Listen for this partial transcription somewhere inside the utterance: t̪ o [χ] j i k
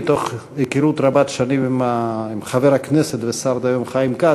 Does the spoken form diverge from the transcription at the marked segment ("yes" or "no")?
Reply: no